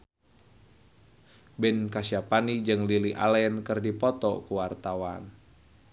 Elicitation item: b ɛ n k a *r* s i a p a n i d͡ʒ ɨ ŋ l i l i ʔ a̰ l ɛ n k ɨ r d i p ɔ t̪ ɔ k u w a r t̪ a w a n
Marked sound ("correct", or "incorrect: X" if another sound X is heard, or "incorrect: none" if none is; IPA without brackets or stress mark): incorrect: none